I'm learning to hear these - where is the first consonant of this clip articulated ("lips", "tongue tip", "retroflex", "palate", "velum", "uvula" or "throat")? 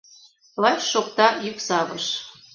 tongue tip